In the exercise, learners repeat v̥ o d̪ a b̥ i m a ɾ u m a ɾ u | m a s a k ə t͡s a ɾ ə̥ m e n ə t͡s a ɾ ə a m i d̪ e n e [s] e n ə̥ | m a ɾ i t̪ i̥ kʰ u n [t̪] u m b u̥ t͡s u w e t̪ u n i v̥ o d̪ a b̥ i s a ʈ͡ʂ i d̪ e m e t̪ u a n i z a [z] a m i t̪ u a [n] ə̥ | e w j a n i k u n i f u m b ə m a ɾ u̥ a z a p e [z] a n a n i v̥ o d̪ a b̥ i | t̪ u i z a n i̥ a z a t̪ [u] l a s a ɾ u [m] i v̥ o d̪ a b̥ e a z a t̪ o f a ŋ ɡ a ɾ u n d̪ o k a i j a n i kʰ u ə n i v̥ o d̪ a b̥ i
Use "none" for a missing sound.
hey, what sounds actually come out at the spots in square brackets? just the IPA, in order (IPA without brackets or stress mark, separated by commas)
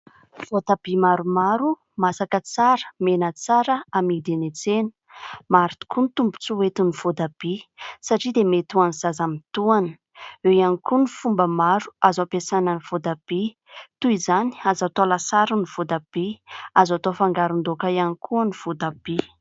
t͡s, t̪, z, n, s, o, n